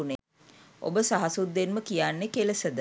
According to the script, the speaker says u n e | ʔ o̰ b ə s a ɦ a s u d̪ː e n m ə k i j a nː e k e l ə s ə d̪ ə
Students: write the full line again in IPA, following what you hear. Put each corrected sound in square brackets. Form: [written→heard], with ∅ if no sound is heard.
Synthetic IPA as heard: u n e | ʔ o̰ b ə s a ɦ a s u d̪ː e n m ə k i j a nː e k e l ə s ə d̪ ə